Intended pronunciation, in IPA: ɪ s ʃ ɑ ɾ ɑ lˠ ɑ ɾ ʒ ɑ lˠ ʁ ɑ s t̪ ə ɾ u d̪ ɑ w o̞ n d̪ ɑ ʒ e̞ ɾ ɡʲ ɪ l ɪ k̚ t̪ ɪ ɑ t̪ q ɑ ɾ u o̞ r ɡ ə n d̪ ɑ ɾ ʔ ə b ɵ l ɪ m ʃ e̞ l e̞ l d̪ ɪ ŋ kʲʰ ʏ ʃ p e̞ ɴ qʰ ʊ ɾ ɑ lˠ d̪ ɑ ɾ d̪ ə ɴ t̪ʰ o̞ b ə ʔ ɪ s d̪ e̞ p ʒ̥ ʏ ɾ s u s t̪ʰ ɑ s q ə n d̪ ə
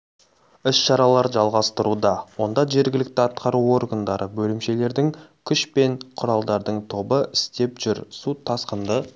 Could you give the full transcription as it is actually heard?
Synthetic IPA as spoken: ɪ s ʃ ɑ ɾ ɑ lˠ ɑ ɾ ʒ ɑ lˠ ʁ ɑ s t̪ ə ɾ u d̪ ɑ w o̞ n d̪ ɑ ʒ e̞ ɾ ɡʲ ɪ l ɪ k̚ t̪ ɪ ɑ t̪ q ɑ ɾ u o̞ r ɡ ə n d̪ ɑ ɾ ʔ ə b ɵ l ɪ m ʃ e̞ l e̞ ɾ d̪ ɪ ŋ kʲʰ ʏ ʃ p e̞ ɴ qʰ ʊ ɾ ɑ lˠ d̪ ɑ ɾ d̪ ə ɴ t̪ʰ o̞ b ə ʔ ɪ s t̪ e̞ p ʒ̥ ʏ ɾ s u t̪ʰ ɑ s q ə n d̪ ə

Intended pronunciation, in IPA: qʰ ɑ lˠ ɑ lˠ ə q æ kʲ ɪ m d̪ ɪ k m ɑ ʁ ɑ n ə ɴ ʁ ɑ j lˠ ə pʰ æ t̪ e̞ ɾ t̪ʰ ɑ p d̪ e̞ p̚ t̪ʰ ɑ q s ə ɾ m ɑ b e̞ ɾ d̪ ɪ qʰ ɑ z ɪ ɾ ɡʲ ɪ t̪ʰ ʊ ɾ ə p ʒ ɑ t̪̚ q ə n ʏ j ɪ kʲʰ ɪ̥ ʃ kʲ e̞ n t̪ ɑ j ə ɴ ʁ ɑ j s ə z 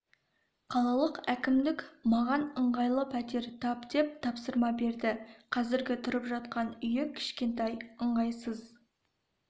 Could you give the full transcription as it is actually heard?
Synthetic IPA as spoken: qʰ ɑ lˠ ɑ lˠ ə q æ kʲ ɪ m d̪ ɪ k m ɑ ʁ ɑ n ə ɴ ʁ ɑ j lˠ ə pʰ æ t̪ e̞ ɾ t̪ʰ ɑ p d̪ e̞ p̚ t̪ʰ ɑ p s ə ɾ m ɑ b e̞ ɾ d̪ ɪ qʰ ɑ z ɪ ɾ ɡʲ ɪ t̪ʰ ʊ ɾ ə p ʒ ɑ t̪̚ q ɑ n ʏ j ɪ kʲʰ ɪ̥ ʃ kʲ e̞ n t̪ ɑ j ə ɴ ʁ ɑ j s ə z

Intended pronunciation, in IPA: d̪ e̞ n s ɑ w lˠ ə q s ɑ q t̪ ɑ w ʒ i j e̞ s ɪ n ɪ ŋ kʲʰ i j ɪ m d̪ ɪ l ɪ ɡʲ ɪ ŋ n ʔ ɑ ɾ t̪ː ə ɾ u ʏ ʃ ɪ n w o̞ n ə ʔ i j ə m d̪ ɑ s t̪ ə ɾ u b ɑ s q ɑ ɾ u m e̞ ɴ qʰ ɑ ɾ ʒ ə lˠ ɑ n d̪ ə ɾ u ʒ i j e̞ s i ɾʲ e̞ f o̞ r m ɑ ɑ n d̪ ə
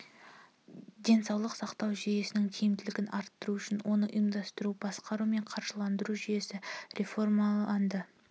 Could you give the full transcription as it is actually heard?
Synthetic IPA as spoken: d̪ e̞ n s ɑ w lˠ ə q s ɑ q t̪ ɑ w ʒ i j e̞ s ɪ n ɪ ŋ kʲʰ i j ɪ m d̪ ɪ l ɪ ɡʲ ɪ n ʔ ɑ ɾ t̪ː ə ɾ u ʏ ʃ ɪ n w o̞ n ə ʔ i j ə m d̪ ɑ s t̪ ə ɾ u b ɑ s q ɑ ɾ u m e̞ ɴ qʰ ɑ ɾ ʒ ə lˠ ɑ n d̪ ə ɾ u ʒ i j e̞ s ɪ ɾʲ e̞ f o̞ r m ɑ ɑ n d̪ ə

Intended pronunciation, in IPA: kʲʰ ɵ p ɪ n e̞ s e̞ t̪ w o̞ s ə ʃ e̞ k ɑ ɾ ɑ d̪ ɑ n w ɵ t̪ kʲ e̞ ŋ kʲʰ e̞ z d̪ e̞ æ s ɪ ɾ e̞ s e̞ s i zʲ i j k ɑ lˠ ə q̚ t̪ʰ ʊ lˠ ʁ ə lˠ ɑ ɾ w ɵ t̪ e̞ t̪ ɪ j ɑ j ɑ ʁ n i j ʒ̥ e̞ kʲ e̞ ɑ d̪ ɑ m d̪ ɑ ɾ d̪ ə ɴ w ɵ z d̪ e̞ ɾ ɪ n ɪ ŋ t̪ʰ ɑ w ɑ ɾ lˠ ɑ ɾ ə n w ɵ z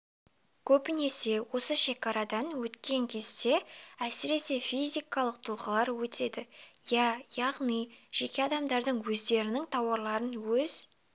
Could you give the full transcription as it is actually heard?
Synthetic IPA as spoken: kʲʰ ɵ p ɪ n e̞ s e̞ w o̞ s ə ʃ e̞ k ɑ ɾ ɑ d̪ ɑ n w ɵ t̪ kʲ e̞ ŋ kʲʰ e̞ z d̪ e̞ æ s ɪ ɾ e̞ s e̞ f i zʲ i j k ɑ lˠ ə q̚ t̪ʰ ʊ lˠ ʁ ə lˠ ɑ ɾ w ɵ t̪ e̞ d̪ ɪ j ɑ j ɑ ʁ n i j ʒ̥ e̞ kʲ e̞ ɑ d̪ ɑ m d̪ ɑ ɾ d̪ ə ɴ w ɵ z d̪ e̞ ɾ ɪ n ɪ ŋ t̪ʰ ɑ w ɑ ɾ lˠ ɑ ɾ ə n w ɵ z

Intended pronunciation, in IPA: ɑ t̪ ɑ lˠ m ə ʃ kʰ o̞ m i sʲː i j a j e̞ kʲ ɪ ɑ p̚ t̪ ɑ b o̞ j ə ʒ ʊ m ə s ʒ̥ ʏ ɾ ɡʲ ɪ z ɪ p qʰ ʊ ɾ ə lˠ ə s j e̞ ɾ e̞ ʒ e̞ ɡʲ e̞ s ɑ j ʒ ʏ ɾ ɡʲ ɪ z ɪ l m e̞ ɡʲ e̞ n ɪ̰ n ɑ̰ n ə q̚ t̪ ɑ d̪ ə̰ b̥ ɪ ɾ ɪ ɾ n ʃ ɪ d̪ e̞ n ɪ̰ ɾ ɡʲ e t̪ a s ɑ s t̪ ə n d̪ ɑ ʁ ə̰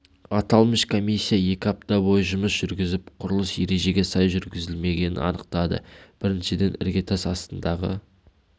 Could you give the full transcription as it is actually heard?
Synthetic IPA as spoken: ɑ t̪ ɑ lˠ m ə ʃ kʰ o̞ m i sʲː i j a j e̞ kʲ ɪ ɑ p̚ t̪ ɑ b o̞ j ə ʒ ʊ m ə s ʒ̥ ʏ ɾ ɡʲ ɪ z ɪ p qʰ ʊ ɾ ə lˠ ə s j e̞ ɾ e̞ ʒ e̞ ɡʲ e̞ s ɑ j ʒ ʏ ɾ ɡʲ ɪ z ɪ l m e̞ ɡʲ e̞ n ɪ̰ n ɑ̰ n ə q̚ t̪ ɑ d̪ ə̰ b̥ ɪ ɾ ɪ n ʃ ɪ d̪ e̞ n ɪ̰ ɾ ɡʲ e t̪ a s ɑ s t̪ ə n d̪ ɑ ʁ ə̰

